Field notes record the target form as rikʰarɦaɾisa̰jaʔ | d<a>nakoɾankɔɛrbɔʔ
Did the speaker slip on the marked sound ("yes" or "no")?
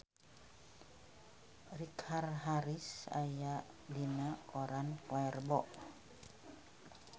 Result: yes